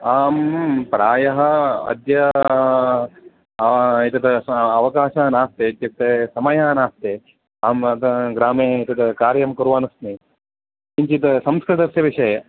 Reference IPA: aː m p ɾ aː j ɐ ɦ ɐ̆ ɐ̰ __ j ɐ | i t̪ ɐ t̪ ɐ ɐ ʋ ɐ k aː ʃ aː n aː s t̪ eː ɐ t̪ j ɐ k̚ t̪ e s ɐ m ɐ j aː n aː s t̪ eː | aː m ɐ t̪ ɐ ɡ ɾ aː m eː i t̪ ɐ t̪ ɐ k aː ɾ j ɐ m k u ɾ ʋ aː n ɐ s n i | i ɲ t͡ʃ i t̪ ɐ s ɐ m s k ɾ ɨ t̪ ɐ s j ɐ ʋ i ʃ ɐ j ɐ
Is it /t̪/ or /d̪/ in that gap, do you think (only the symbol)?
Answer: d̪